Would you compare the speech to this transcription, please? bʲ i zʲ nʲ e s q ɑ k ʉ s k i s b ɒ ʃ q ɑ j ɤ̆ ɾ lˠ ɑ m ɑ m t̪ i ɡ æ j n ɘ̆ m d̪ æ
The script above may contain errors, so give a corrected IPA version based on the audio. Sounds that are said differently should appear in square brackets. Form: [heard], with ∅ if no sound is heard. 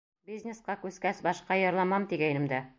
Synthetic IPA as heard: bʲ i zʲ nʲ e s q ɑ k ʉ s k [æ] s b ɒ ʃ q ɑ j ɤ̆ ɾ lˠ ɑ m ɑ m t̪ i ɡ æ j n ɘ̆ m d̪ æ